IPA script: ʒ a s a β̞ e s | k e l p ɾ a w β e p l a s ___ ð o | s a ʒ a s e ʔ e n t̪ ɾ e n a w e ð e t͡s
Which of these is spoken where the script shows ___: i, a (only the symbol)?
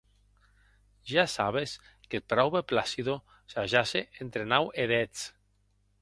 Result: i